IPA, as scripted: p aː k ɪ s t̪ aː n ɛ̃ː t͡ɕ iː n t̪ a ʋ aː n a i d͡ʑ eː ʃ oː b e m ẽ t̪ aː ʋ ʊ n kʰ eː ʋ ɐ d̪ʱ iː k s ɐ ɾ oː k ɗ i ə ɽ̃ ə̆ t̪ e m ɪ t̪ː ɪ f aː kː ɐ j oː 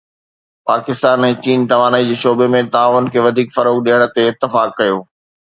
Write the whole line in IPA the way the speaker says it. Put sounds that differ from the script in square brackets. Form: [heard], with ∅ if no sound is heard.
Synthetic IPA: p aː k ɪ s t̪ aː n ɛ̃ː t͡ɕ iː n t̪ [ɐ] ʋ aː n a i d͡ʑ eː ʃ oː b e m ẽ t̪ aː ʋ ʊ n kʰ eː ʋ ɐ d̪ʱ iː k [f] ɐ ɾ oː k ɗ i ə ɽ̃ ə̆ t̪ e [∅] ɪ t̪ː ɪ f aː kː ɐ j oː